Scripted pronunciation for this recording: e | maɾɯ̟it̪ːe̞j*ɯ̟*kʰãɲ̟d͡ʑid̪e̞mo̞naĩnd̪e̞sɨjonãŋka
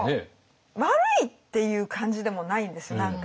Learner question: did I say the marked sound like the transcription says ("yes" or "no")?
no